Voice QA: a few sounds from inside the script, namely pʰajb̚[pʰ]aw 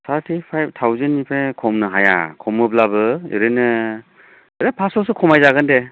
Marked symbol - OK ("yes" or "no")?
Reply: no